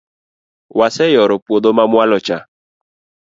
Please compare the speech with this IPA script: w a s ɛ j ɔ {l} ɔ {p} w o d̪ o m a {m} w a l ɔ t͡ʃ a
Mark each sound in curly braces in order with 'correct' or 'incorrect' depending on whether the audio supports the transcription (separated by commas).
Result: incorrect, correct, correct